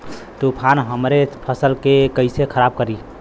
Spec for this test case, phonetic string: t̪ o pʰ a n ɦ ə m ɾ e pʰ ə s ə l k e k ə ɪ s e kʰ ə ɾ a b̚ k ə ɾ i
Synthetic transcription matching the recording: t̪ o pʰ a n ɦ ə m ɾ e pʰ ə s ə l k e k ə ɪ s e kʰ ə ɾ a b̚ k ə ɾ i